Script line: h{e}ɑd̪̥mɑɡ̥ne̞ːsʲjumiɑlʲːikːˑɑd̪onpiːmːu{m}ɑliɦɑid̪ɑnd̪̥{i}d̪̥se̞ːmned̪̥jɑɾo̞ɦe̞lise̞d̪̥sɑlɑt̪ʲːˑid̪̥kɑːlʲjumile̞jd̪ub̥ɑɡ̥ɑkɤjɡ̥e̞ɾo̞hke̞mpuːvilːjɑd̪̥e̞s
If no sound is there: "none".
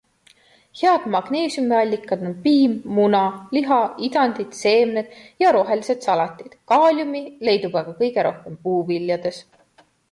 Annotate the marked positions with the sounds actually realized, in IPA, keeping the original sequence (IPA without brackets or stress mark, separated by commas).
e, n, i